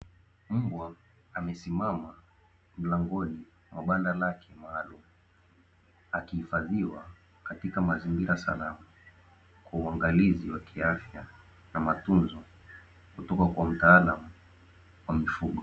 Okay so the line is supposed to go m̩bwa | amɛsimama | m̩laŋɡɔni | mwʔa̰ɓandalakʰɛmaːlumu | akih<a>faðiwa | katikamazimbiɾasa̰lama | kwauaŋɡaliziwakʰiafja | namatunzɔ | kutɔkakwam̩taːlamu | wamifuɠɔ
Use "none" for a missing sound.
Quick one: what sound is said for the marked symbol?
i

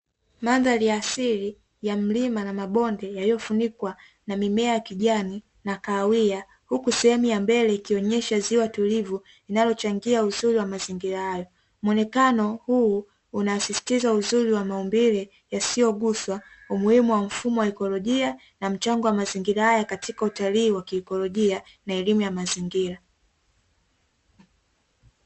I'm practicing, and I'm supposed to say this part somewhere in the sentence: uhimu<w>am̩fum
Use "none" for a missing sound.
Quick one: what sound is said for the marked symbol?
w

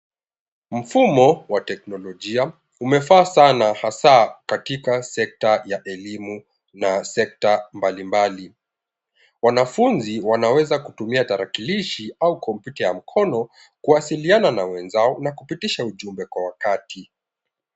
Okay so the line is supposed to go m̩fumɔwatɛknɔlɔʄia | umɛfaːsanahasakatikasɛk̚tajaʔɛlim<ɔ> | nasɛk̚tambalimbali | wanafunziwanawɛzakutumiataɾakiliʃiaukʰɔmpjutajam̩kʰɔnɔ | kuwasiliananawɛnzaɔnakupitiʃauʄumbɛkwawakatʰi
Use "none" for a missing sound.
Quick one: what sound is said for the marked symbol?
u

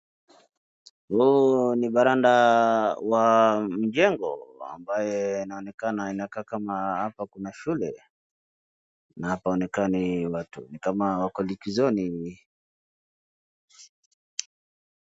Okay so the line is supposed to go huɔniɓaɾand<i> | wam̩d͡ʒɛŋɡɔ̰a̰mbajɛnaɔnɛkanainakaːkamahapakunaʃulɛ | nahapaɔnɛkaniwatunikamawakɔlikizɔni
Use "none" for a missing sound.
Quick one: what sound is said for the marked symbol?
a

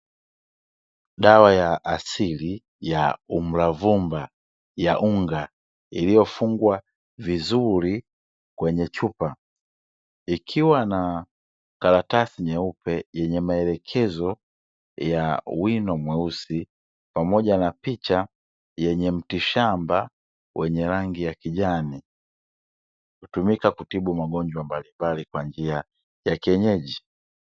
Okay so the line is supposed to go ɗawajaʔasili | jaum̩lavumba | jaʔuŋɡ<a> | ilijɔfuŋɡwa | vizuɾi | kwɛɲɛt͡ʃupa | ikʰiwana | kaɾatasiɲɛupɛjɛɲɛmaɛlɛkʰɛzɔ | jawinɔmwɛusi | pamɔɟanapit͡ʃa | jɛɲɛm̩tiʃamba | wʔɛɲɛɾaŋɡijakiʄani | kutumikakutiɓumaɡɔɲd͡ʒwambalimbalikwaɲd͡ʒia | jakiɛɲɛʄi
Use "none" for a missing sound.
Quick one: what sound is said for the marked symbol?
a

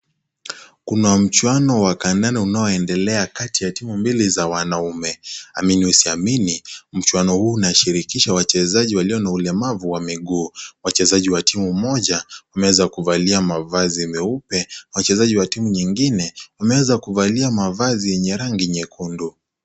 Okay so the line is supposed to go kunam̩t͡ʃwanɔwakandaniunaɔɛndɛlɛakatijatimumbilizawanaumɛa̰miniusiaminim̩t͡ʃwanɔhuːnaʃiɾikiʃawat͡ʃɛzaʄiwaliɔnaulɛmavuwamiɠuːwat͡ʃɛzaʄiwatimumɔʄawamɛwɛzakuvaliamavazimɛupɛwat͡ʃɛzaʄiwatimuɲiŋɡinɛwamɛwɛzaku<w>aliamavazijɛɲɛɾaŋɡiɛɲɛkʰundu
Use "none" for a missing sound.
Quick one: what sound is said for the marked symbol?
v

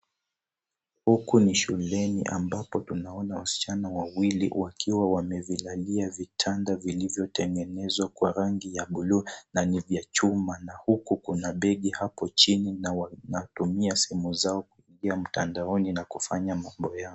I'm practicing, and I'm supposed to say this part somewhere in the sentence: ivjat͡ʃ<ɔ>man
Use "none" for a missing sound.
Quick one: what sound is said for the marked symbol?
u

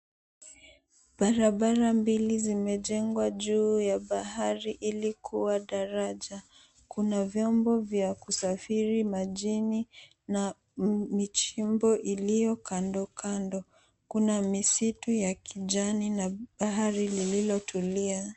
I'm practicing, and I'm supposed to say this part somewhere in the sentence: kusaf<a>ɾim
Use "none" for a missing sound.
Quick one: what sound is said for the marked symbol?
i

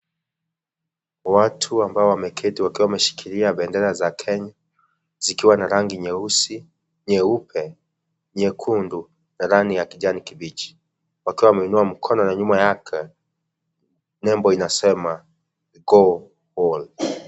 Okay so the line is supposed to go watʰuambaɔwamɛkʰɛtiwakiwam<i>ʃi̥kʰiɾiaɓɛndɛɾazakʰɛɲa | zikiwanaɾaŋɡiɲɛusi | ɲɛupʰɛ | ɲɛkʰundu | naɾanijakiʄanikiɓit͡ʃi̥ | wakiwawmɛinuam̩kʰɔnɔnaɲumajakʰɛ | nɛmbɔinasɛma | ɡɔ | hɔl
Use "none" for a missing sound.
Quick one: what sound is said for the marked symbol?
ɛ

